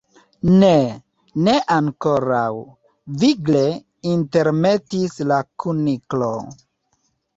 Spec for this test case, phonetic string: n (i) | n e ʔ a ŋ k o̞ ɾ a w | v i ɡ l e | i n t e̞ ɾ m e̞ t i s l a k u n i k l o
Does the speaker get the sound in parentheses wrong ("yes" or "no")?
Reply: yes